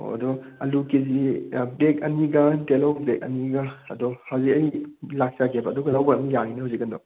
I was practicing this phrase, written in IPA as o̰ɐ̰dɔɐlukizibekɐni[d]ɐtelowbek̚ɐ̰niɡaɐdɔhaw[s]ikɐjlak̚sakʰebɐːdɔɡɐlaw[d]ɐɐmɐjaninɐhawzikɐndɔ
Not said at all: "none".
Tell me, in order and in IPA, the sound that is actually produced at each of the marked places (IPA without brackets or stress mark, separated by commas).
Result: ɡ, z, b